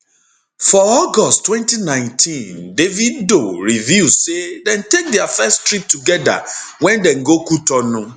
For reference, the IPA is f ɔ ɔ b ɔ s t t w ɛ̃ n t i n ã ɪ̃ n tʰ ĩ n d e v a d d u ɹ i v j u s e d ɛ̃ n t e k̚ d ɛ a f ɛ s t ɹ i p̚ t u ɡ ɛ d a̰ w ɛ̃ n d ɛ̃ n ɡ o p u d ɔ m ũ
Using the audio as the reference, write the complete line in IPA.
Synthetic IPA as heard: f ɔ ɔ ɡ ɔ s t t w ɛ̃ n t i n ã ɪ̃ n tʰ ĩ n d e v i d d o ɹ i v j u s e d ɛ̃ n t e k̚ d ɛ a f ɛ s t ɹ i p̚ t u ɡ ɛ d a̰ w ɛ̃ n d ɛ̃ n ɡ o k u t ɔ n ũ